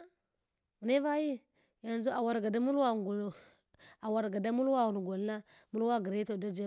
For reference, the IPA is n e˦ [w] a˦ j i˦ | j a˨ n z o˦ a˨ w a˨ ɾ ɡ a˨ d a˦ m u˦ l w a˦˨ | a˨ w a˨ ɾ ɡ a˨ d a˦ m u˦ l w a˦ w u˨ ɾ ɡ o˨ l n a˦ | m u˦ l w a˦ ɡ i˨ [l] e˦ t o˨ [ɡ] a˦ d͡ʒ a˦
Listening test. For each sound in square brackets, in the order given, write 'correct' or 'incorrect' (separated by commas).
incorrect, incorrect, incorrect